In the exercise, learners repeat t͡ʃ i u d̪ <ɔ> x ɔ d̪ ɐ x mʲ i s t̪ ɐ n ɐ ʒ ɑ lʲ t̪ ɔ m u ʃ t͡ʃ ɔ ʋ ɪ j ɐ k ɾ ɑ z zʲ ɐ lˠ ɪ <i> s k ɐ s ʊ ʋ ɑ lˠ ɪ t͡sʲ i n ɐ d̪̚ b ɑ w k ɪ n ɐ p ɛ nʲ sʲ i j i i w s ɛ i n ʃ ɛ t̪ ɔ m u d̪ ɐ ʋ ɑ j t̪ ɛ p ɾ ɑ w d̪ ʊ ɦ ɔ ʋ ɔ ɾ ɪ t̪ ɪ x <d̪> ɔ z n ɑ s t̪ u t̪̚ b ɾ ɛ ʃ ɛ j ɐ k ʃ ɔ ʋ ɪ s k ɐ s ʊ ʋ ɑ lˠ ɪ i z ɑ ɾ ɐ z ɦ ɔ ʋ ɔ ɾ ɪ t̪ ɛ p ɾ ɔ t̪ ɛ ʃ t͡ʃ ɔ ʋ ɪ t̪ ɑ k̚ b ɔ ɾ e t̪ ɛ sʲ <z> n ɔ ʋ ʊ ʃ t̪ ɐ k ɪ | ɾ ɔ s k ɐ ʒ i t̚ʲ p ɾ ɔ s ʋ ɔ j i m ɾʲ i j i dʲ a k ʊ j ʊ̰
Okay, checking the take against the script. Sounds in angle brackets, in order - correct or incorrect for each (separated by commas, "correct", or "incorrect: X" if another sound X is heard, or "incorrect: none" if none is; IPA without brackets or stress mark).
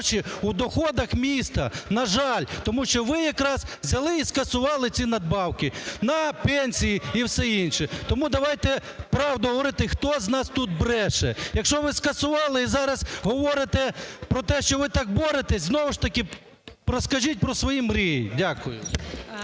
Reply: correct, correct, incorrect: t̪, correct